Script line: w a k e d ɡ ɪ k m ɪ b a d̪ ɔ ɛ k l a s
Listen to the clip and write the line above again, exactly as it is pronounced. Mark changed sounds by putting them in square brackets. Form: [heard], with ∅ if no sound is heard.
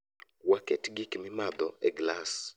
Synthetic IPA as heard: w a k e [t] ɡ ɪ k m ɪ [m] a d̪ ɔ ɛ [ɡ] l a s